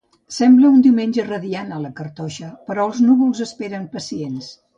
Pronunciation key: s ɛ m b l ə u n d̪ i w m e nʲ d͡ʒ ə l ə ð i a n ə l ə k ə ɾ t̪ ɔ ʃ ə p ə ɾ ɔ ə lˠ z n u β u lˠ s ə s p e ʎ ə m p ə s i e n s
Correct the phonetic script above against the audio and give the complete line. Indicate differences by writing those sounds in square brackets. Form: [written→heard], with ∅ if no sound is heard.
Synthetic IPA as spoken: s ɛ m b l ə u n d̪ i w m e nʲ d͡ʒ ə [l→r] ə ð i a n ə l ə k ə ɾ t̪ ɔ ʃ ə p ə ɾ ɔ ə lˠ z n u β u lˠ [s→z] ə s p e [ʎ→ɾ] ə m p ə s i e n s